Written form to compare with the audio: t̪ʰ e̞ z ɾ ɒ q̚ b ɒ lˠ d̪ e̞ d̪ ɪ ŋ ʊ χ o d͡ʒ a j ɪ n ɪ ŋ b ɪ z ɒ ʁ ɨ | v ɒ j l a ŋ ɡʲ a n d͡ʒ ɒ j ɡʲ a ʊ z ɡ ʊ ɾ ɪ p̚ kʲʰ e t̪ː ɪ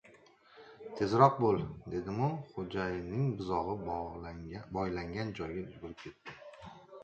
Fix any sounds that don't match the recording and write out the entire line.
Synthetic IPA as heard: t̪ʰ e̞ z ɾ ɒ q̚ b o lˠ d̪ e̞ d̪ ɪ m ʊ χ o d͡ʒ a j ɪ n ɪ ŋ b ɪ z ɒ ʁ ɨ | b ɒ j l a ŋ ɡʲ a n d͡ʒ ɒ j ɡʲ a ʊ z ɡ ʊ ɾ ɪ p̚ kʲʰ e t̪ː ɪ